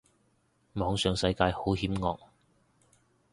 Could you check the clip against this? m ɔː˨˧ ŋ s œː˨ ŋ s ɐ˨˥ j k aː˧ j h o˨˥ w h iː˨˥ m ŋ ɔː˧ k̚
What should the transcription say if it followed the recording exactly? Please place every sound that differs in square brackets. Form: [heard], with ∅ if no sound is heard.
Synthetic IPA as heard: m ɔː˨˧ ŋ s œː˨ ŋ s ɐ˨˥ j k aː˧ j h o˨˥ w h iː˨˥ m ŋ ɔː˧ k̚

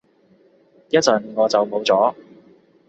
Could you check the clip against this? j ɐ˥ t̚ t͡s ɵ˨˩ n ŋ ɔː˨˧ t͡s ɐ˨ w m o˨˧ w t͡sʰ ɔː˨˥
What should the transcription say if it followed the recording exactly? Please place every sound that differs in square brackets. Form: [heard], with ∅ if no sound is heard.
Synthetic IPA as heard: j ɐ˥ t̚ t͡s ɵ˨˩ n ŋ ɔː˨˧ t͡s ɐ˨ w m o˨˧ w [t͡s] ɔː˨˥

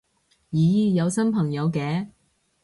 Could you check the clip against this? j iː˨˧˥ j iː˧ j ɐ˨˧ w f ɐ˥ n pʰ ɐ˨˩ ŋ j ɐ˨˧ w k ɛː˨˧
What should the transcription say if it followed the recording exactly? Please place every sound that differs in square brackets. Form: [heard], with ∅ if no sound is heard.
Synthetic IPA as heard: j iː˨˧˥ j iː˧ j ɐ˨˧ w [s] ɐ˥ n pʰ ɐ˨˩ ŋ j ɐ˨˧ w k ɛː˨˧

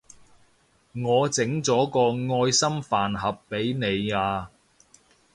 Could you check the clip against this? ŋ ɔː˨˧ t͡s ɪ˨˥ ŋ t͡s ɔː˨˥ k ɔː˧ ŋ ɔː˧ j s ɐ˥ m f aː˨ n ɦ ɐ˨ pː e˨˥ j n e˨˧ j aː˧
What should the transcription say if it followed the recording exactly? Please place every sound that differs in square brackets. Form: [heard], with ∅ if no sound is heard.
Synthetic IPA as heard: ŋ ɔː˨˧ t͡s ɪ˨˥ ŋ t͡s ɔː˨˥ k ɔː˧ ŋ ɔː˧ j s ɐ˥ m f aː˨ n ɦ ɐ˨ pː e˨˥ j n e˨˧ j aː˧

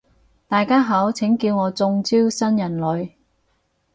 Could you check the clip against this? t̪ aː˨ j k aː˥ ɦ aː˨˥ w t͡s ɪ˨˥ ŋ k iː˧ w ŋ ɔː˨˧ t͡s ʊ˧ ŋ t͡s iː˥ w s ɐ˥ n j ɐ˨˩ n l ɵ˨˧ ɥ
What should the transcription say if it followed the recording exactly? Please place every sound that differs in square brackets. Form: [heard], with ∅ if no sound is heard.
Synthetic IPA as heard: t̪ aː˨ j k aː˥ ɦ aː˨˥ w [t͡sʰ] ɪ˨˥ ŋ k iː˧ w ŋ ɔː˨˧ t͡s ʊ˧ ŋ t͡s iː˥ w s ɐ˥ n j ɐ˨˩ n l ɵ˨˧ ɥ

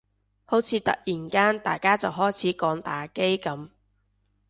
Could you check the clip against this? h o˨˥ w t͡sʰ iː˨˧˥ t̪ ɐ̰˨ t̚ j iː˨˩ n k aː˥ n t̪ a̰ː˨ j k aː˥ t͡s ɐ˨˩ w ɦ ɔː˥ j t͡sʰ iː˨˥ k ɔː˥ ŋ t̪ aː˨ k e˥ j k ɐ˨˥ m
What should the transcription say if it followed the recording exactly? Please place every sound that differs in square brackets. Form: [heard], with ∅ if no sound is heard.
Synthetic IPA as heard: h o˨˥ w t͡sʰ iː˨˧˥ t̪ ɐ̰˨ [k̚] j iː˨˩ n k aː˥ n t̪ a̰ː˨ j k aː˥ t͡s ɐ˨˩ w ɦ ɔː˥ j t͡sʰ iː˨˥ k [ɔː˨˧] ŋ t̪ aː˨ k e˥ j k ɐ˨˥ m

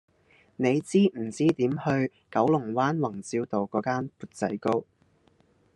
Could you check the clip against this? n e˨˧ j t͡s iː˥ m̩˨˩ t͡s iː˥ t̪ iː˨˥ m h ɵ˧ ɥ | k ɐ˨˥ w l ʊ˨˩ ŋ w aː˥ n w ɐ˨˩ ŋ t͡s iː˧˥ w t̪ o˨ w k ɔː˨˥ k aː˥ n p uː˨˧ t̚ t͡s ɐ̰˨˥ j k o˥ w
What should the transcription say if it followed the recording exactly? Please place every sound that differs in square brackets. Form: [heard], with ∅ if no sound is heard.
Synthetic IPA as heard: n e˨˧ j t͡s iː˥ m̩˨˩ t͡s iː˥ t̪ iː˨˥ m h ɵ˧ ɥ | k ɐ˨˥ w l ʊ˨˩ ŋ w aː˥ n w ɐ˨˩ ŋ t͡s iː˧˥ w t̪ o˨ w k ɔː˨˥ k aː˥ n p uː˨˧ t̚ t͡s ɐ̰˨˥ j k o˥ w

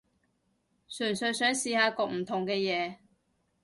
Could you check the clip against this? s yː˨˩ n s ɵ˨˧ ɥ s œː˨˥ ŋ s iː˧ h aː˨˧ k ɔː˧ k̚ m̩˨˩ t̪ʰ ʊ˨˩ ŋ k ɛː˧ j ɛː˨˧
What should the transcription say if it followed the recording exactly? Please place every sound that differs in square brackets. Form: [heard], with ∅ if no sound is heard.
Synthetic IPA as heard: s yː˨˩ n s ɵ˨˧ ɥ s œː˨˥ ŋ s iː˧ h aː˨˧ k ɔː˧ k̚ m̩˨˩ t̪ʰ ʊ˨˩ ŋ k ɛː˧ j ɛː˨˧

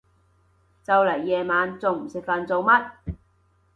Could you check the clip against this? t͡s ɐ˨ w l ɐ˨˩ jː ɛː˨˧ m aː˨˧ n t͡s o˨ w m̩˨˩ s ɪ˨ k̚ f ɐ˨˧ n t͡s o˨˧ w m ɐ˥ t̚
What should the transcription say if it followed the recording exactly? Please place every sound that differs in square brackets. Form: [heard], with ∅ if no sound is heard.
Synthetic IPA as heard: t͡s ɐ˨ w l ɐ˨˩ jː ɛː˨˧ m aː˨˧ n t͡s o˨ w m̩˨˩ s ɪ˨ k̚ f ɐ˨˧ n t͡s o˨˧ w m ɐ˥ t̚

